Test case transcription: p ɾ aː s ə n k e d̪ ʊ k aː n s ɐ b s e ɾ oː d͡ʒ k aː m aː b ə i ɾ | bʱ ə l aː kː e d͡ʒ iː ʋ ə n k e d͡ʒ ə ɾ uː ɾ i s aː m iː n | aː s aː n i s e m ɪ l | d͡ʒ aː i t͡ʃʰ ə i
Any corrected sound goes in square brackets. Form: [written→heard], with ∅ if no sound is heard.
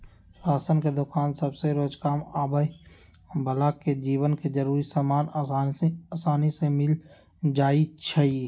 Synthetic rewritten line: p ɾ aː s ə n k e d̪ ʊ k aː n s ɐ b s e ɾ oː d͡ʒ k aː m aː b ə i [ɾ→∅] | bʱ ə l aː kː e d͡ʒ iː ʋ ə n k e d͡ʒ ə ɾ uː ɾ i s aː m [iː→aː] n | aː s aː n i s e m ɪ l | d͡ʒ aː i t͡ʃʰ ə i